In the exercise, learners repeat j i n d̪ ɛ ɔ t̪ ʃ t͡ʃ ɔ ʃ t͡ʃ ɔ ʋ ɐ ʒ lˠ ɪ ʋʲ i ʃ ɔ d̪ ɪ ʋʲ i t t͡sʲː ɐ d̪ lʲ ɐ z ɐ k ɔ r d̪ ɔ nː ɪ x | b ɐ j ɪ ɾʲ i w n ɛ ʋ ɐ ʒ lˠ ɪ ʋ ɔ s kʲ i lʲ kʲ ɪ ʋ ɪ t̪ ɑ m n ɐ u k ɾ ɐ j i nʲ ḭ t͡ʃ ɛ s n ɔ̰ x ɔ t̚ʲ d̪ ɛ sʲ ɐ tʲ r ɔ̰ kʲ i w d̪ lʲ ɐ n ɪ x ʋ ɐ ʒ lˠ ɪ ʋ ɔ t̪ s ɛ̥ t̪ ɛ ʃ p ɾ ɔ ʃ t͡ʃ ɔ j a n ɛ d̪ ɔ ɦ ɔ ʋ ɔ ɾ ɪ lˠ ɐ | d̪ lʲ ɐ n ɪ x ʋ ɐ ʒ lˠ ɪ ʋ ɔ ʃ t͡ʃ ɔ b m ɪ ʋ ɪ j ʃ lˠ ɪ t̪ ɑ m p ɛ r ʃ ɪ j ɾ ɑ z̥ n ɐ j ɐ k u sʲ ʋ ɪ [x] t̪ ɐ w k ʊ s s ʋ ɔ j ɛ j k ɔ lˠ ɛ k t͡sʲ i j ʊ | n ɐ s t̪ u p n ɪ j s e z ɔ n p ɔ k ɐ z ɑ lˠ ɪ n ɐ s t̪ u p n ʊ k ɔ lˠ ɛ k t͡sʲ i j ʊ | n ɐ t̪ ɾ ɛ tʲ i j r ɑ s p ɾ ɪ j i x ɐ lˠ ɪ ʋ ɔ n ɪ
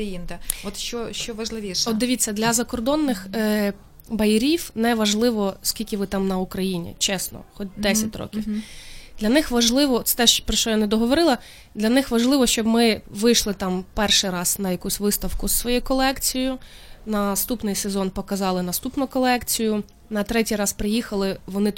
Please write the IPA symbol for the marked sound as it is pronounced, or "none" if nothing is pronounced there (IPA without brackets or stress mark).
s